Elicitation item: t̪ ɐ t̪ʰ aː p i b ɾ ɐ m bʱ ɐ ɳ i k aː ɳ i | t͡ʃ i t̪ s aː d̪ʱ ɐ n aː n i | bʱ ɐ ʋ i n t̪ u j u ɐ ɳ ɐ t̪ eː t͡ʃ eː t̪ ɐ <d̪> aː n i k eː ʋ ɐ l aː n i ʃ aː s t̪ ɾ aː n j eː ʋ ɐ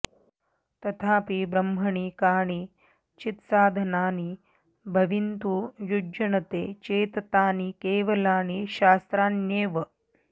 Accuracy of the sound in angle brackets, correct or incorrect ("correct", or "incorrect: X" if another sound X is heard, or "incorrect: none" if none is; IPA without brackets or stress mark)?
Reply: incorrect: t̪